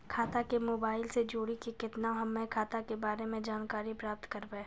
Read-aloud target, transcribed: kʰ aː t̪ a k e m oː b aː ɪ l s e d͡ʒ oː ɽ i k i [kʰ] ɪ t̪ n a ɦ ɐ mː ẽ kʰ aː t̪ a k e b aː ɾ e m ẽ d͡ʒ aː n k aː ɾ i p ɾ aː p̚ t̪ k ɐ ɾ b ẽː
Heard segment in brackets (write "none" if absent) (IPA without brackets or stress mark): k